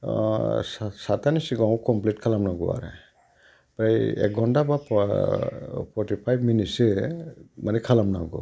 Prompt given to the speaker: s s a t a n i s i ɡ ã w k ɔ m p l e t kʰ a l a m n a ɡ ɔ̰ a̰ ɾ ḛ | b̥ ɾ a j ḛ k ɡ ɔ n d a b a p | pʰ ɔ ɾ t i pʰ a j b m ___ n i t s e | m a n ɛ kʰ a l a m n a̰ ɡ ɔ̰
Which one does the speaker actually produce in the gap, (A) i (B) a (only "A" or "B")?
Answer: A